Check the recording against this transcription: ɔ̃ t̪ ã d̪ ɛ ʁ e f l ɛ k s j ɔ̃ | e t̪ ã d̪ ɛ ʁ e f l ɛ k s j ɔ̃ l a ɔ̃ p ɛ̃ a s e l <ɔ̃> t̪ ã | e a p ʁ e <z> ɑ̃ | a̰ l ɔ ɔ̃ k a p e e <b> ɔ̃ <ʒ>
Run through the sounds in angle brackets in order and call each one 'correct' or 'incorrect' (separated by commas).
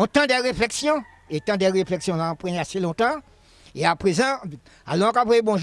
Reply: correct, correct, correct, correct